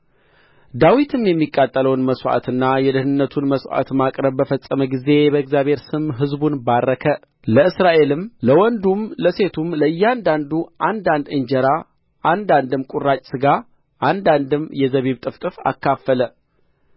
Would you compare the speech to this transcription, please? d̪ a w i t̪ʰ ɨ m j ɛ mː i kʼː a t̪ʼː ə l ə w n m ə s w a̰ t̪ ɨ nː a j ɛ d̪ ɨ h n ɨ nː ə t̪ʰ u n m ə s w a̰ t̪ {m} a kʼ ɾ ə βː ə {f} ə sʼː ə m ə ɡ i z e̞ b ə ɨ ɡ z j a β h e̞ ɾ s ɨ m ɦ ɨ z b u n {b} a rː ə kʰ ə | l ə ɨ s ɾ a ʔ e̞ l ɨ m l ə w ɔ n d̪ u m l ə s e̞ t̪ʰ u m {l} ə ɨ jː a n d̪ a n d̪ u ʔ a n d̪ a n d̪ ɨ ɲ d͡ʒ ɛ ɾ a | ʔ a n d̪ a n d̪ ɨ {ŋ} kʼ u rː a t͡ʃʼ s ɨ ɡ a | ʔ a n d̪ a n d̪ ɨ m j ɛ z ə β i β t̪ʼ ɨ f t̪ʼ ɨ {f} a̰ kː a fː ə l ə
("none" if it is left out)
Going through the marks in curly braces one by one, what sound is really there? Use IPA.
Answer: m, f, b, l, m, f

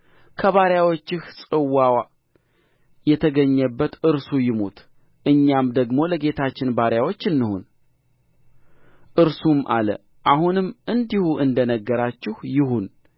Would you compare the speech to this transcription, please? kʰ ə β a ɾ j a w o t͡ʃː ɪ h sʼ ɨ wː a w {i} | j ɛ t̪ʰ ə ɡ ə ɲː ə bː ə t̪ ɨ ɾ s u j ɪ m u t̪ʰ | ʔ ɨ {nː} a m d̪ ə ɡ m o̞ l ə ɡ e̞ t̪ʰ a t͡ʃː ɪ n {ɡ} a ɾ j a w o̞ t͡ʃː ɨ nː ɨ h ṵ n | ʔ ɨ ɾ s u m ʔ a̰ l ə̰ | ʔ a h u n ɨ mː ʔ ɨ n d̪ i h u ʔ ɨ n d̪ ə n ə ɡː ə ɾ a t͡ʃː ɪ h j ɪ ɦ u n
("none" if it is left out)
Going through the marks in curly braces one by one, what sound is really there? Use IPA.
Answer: a, ɲː, b

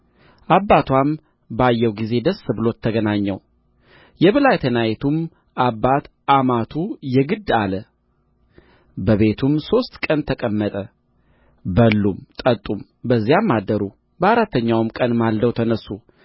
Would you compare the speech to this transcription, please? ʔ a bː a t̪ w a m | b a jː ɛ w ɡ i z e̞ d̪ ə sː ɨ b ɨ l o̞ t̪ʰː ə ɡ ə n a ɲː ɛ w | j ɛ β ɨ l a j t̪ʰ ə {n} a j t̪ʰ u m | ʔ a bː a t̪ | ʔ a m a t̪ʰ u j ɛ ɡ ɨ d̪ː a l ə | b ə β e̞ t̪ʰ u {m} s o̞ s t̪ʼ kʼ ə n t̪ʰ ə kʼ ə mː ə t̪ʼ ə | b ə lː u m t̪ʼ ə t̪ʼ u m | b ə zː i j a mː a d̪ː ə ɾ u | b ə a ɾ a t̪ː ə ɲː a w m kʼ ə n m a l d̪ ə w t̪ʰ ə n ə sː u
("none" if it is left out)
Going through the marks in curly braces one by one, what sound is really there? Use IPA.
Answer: n, m

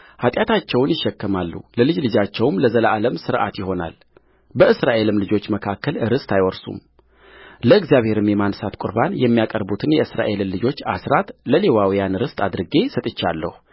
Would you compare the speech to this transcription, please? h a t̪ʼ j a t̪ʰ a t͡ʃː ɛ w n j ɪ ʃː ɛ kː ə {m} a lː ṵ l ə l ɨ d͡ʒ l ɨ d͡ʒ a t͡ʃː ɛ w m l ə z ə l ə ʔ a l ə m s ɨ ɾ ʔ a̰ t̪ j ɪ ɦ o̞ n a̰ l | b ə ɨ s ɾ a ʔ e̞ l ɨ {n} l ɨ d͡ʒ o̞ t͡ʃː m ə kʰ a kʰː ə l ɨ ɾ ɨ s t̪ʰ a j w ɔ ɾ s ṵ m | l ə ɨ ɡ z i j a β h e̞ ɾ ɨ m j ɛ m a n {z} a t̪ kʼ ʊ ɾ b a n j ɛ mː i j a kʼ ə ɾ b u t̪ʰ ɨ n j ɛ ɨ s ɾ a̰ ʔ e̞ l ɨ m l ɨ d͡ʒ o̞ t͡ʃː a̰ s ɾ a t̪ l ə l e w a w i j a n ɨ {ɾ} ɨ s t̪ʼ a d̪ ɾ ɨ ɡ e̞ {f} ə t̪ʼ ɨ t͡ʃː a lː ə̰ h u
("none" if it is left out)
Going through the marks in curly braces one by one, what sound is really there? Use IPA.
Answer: m, m, s, ɾ, s

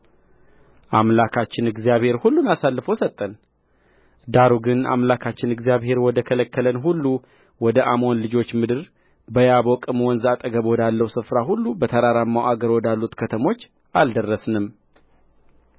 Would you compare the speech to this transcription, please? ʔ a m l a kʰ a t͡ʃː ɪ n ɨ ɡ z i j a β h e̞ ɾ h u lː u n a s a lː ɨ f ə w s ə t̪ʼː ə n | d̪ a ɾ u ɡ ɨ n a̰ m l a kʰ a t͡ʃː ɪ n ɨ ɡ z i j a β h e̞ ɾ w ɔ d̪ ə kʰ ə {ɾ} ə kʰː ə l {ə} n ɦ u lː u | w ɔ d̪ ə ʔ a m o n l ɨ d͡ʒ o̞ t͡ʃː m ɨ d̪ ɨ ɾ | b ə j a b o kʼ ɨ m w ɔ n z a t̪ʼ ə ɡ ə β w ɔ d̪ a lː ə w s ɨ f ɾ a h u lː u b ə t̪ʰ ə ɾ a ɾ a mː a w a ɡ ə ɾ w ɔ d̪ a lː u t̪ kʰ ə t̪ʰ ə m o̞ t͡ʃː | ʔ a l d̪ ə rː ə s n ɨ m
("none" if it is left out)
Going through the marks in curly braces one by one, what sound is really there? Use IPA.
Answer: l, ə

